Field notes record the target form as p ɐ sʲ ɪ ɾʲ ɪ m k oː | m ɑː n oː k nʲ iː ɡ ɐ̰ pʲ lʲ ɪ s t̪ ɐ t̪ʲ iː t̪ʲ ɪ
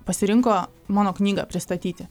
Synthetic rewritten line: p ɐ sʲ ɪ ɾʲ ɪ ŋ k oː | m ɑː n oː k nʲ iː ɡ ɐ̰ pʲ ɾʲ ɪ s t̪ ɐ t̪ʲ iː t̪ʲ ɪ